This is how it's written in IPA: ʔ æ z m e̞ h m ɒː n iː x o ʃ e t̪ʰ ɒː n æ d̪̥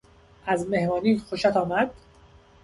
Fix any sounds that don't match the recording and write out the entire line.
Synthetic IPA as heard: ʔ æ z m e̞ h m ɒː n iː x o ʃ æ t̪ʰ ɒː m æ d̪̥